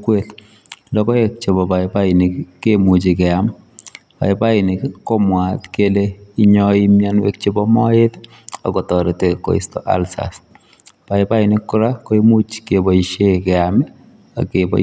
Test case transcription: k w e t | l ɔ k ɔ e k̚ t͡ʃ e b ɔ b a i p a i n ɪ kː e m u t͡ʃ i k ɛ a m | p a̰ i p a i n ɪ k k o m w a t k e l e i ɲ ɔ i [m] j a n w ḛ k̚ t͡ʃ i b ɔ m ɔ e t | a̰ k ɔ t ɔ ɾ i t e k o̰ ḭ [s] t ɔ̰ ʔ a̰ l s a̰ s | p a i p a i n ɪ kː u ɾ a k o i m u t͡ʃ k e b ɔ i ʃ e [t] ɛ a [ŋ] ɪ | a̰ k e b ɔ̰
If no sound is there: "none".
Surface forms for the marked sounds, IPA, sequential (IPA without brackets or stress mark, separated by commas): m, s, k, m